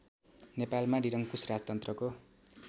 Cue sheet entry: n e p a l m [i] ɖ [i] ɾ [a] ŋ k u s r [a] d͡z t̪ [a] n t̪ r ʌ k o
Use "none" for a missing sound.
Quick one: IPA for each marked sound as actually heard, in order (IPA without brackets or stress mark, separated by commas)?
a, i, ʌ, a, ʌ